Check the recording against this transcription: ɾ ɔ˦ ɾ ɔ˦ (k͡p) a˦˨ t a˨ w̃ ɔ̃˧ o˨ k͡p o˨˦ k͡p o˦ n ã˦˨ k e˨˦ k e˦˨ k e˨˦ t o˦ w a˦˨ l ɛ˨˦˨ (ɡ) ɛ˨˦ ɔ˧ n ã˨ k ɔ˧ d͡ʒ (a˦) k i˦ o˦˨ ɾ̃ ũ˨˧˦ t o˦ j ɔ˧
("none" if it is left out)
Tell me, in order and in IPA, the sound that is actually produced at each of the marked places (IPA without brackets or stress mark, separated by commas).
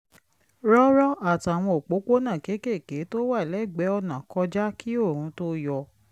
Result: none, ɡ͡b, a˦